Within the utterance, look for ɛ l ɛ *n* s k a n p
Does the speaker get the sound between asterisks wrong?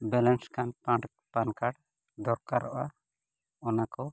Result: no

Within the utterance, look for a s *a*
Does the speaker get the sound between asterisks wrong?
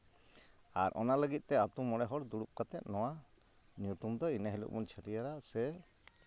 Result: yes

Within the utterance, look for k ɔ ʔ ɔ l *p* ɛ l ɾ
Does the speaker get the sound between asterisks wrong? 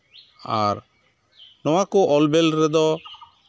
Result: yes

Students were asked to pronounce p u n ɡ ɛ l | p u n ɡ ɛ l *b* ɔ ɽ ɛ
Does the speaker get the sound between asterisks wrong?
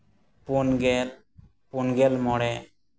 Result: yes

